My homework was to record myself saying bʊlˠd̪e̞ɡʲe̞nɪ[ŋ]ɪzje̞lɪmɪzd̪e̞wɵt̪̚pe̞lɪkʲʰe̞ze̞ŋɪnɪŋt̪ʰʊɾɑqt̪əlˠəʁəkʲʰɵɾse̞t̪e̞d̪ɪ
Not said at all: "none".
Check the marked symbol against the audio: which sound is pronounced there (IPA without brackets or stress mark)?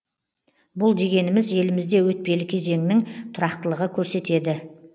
m